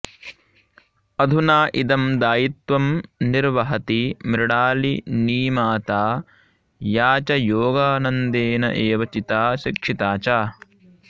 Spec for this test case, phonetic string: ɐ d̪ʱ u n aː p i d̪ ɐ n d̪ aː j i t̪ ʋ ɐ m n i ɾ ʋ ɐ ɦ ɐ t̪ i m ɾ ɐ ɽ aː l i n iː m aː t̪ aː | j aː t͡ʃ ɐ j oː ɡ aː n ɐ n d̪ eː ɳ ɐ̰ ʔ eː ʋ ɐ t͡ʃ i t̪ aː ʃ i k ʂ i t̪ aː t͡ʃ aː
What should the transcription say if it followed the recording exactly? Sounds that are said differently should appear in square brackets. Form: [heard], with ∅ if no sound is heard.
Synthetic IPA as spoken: ɐ d̪ʱ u n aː [ʔ] i d̪ ɐ [m] d̪ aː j i t̪ ʋ ɐ m n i ɾ ʋ ɐ ɦ ɐ t̪ i m ɾ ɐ ɽ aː l i n iː m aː t̪ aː | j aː t͡ʃ ɐ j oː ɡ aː n ɐ n d̪ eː [n] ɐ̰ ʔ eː ʋ ɐ t͡ʃ i t̪ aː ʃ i k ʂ i t̪ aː t͡ʃ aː